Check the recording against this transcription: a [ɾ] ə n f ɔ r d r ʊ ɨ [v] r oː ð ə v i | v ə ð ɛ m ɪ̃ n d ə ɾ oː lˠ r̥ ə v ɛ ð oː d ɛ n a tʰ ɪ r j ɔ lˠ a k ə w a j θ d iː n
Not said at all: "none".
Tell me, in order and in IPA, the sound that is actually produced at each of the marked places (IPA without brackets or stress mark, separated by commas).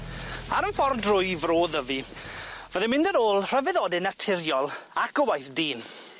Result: ɾ, v